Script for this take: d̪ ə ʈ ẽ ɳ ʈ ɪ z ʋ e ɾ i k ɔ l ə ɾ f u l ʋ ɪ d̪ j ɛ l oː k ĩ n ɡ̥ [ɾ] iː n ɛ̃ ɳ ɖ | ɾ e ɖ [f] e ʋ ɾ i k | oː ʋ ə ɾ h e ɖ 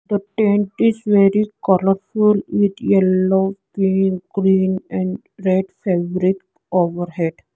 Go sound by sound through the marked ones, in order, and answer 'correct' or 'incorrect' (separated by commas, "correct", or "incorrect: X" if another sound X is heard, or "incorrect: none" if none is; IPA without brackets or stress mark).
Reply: correct, correct